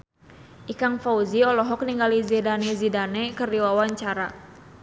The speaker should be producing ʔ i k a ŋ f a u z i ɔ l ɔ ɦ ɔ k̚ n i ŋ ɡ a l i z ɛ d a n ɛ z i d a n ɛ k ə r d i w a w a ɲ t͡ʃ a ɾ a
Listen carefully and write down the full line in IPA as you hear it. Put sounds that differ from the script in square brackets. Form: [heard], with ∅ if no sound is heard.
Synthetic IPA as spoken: ʔ i k a ŋ f a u z i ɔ l ɔ ɦ ɔ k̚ n i ŋ ɡ a l i z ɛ d a n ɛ z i d a n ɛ k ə r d i w a w a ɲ t͡ʃ a ɾ a